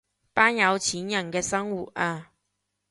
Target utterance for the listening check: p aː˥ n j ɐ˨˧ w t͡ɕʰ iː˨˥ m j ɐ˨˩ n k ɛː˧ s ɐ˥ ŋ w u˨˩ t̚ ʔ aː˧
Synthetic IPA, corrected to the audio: p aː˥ n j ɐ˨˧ w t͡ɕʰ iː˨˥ n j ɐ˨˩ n k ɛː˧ s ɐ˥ ŋ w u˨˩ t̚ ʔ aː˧